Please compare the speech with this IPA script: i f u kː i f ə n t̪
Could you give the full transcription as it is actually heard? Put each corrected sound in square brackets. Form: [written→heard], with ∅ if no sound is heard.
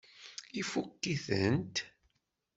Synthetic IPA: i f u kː i [f→θ] ə n t̪